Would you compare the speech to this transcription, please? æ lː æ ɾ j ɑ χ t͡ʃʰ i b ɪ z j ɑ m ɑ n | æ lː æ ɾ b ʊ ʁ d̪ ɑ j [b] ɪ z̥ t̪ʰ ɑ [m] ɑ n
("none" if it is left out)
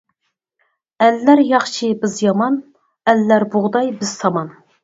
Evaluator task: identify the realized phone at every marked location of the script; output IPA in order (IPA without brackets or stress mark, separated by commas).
b, m